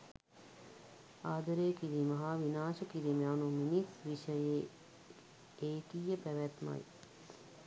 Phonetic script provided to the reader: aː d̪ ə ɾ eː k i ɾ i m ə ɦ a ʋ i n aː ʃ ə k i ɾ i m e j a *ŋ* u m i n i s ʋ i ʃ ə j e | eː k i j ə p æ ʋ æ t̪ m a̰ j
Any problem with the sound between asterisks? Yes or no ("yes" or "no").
yes